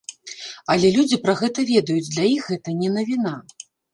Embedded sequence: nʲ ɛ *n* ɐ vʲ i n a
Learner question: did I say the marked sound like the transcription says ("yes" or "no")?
yes